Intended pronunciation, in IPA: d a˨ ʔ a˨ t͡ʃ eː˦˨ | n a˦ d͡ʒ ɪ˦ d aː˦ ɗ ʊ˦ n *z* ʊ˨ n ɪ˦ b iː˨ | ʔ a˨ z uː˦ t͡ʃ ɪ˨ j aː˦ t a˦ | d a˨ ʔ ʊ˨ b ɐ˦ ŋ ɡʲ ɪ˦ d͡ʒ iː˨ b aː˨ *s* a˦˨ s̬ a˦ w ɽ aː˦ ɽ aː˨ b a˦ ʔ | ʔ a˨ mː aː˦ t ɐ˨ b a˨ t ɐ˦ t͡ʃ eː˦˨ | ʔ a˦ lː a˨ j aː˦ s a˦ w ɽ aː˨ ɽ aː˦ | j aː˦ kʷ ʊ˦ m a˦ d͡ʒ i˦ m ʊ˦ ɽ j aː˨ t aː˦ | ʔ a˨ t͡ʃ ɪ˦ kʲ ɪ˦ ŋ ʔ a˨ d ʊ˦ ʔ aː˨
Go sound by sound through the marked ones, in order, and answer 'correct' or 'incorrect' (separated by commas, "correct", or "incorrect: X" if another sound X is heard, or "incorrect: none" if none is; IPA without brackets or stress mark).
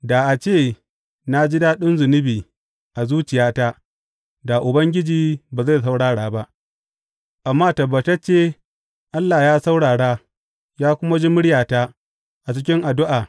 correct, incorrect: z